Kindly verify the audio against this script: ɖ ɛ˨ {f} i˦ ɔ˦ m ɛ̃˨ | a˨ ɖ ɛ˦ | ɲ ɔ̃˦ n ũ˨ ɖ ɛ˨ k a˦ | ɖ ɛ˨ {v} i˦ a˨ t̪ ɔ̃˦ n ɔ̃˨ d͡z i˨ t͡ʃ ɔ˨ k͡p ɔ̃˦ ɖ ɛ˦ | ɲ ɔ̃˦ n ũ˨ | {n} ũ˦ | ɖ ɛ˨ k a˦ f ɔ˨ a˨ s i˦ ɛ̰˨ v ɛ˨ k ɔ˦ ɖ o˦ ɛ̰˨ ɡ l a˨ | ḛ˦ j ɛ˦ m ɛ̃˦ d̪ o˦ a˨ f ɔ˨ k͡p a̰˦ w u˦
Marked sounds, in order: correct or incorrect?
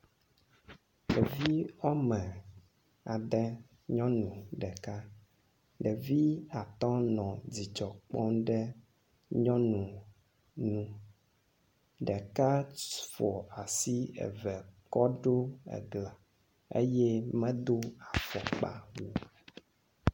incorrect: v, correct, correct

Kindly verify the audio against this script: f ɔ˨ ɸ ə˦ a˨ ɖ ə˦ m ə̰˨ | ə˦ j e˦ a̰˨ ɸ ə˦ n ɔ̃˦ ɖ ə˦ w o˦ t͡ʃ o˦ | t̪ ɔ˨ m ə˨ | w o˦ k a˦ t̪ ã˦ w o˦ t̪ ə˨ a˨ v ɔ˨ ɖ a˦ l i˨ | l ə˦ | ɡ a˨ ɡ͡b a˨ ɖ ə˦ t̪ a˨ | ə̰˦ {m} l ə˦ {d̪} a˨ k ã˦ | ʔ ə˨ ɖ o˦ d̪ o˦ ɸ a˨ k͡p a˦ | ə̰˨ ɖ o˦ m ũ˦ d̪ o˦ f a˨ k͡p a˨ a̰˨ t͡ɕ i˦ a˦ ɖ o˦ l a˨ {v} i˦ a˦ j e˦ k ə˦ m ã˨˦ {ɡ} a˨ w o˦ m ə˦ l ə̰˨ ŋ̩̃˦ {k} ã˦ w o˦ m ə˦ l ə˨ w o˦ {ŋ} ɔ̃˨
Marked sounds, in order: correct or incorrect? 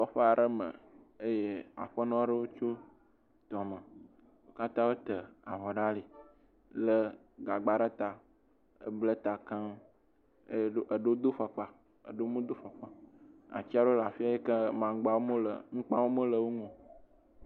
incorrect: b, incorrect: t̪, incorrect: f, incorrect: ɡ͡b, incorrect: k͡p, correct

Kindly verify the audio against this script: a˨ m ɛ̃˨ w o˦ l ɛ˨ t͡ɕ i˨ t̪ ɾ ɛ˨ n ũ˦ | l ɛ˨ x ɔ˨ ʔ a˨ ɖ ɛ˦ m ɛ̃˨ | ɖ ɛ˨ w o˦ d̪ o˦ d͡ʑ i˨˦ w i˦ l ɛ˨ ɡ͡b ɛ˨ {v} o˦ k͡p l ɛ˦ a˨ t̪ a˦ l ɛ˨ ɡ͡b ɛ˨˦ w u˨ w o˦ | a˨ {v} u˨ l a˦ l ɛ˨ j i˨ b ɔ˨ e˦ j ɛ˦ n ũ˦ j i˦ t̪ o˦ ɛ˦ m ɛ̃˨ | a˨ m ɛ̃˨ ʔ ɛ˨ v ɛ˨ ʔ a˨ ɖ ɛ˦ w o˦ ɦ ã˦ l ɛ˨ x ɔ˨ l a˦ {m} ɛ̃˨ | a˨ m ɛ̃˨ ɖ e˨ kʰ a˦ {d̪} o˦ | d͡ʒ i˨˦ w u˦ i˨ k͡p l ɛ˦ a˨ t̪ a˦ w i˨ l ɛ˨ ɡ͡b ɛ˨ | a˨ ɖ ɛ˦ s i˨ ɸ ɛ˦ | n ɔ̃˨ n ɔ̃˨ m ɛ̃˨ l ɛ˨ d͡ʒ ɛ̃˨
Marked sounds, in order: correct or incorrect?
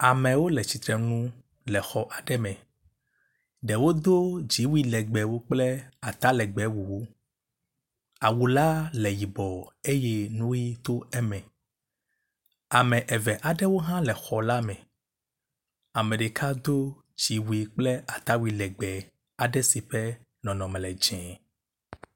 incorrect: w, incorrect: w, correct, correct

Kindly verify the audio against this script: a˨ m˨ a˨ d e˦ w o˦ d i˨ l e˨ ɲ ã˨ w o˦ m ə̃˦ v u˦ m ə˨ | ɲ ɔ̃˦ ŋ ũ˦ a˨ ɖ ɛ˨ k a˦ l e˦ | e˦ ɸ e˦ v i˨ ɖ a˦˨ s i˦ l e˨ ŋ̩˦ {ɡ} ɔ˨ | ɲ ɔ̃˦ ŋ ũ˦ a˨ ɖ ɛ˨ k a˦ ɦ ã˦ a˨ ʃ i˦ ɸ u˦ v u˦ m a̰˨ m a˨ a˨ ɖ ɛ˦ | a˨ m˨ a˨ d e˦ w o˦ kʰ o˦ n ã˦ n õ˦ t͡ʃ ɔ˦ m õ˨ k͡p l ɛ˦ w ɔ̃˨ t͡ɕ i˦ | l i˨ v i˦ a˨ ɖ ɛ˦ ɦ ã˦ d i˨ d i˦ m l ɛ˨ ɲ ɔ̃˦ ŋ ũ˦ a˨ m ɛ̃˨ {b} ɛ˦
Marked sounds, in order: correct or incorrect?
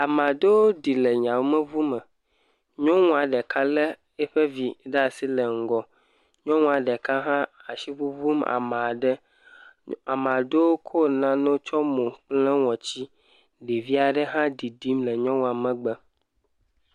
correct, incorrect: ɡ͡b

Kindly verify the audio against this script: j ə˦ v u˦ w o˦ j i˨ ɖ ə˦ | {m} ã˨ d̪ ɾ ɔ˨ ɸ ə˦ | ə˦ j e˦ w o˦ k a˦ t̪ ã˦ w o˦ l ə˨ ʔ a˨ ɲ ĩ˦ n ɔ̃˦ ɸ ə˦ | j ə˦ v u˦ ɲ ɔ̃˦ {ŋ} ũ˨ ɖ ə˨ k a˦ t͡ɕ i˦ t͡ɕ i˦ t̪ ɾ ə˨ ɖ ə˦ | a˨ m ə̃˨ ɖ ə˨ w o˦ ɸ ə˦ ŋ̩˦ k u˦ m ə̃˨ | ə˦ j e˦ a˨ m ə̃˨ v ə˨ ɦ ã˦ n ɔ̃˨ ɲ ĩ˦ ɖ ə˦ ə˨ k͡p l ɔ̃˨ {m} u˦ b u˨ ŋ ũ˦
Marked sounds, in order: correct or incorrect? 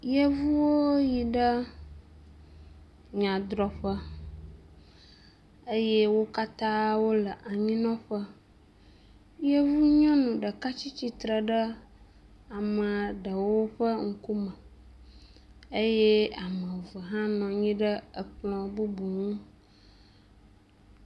incorrect: ɲ, incorrect: n, incorrect: b

